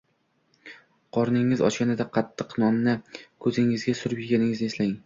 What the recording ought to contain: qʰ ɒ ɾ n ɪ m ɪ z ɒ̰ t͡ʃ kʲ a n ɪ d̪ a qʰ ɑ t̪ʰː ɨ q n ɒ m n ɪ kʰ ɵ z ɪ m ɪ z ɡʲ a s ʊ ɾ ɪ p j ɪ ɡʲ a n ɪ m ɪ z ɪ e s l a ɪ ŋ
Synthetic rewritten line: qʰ ɒ ɾ n ɪ ŋ ɪ z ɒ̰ t͡ʃ kʲ a n ɪ d̪ a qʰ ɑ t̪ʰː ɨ q n ɒ m n ɪ kʰ ɵ z ɪ ŋ ɪ z ɡʲ a s ʊ ɾ ɪ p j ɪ ɡʲ a n ɪ ŋ ɪ z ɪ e s l a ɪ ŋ